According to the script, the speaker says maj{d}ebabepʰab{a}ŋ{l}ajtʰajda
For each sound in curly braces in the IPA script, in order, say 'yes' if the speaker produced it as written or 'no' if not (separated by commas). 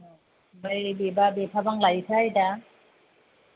no, yes, yes